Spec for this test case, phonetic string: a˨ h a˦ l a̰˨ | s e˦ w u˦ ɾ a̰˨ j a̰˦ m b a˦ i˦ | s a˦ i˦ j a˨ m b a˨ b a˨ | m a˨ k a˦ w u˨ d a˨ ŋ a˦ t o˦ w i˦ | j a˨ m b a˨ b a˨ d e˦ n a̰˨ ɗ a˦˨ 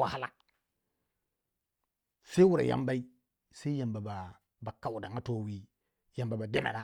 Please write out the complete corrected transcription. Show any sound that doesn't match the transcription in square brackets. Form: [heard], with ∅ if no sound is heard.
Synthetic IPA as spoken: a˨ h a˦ l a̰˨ | s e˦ w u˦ ɾ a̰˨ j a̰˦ m b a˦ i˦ | s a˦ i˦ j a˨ m b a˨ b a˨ | [b] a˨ k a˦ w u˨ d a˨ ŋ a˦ t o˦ w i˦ | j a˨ m b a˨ b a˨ d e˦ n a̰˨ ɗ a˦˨